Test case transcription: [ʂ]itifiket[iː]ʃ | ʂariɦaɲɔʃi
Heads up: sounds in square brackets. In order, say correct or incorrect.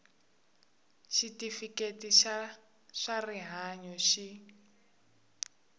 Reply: incorrect: ʃ, incorrect: i

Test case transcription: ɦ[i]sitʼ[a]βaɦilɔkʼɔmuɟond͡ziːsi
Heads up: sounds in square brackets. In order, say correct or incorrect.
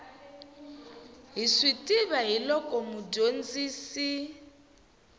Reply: correct, incorrect: i

